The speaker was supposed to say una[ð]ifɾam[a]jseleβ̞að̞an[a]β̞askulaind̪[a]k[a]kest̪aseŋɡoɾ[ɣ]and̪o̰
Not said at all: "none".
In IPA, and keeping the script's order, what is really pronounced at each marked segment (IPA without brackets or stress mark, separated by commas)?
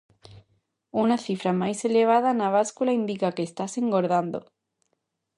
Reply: θ, a, a, i, a, ð